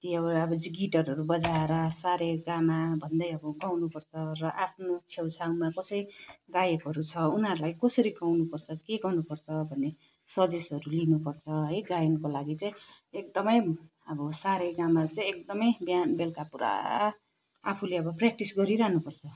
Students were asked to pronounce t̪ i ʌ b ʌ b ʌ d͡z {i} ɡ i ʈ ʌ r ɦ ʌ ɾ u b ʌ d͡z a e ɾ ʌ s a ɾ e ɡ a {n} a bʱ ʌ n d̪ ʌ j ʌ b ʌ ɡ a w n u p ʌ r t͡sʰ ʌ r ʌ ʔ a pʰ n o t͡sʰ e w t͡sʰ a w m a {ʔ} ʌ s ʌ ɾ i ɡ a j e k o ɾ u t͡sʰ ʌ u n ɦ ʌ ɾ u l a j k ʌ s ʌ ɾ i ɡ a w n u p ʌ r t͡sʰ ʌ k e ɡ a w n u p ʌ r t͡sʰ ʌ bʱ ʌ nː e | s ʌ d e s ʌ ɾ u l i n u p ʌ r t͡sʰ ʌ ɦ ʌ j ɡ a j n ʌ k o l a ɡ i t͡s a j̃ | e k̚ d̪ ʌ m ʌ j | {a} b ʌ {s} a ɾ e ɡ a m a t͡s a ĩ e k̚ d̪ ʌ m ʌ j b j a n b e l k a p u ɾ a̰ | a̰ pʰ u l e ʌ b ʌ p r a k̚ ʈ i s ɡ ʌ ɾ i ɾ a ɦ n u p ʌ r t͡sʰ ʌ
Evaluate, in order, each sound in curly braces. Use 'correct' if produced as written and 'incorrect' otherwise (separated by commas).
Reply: correct, incorrect, incorrect, incorrect, correct